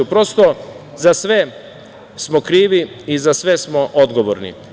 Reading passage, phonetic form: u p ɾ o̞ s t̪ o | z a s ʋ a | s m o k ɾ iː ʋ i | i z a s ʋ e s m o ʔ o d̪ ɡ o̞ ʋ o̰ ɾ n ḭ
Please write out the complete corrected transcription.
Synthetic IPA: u p ɾ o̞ s t̪ o | z a s ʋ e | s m o k ɾ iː ʋ i | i z a s ʋ e s m o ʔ o d̪ ɡ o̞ ʋ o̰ ɾ n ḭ